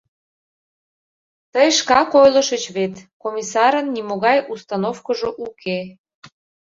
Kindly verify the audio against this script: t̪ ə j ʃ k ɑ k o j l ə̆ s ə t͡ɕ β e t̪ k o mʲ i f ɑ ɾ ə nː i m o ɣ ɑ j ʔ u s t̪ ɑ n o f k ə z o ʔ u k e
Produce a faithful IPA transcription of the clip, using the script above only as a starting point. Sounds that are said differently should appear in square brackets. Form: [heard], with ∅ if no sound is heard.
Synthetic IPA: t̪ ə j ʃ k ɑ k o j l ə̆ [ʃ] ə t͡ɕ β e t̪ k o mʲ i [s] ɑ ɾ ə nː i m o ɣ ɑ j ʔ u s t̪ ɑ n o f k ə [ʒ] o ʔ u k e